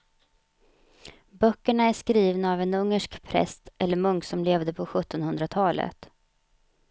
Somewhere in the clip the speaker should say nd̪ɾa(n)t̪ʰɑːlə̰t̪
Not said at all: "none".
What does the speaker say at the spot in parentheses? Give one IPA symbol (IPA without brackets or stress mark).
none